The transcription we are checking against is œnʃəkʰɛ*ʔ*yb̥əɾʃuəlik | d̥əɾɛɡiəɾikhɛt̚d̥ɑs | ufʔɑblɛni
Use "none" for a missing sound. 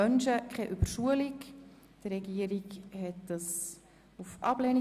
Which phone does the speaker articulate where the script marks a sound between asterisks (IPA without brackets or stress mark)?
ʔ